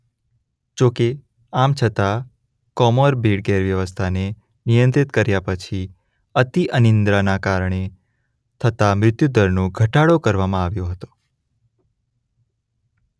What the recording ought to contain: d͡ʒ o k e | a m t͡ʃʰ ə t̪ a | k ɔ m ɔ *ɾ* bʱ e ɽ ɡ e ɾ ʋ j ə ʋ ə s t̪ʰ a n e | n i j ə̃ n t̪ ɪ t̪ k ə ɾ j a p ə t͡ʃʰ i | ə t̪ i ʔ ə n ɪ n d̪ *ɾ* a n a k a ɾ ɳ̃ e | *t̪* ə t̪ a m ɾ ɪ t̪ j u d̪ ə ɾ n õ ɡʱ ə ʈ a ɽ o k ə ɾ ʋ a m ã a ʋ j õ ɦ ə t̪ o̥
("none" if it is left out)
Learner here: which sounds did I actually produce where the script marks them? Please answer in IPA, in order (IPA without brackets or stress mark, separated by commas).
ɾ, ɾ, t̪ʰ